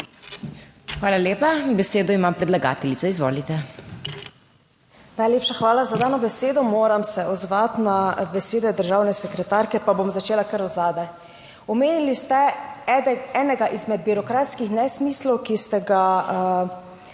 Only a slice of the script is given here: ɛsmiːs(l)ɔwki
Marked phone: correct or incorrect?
correct